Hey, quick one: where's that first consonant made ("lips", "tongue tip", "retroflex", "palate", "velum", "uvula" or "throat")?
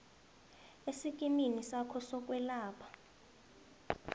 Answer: tongue tip